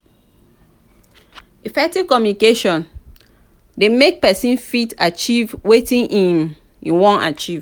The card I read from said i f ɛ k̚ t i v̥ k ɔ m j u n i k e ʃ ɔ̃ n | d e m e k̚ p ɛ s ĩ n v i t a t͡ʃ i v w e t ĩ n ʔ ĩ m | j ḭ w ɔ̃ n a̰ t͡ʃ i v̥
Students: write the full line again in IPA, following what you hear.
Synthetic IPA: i f ɛ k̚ t i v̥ k ɔ m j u n i k e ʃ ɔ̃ n | d e m e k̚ p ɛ s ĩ n f i t a t͡ʃ i v w e t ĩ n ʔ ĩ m | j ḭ w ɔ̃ n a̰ t͡ʃ i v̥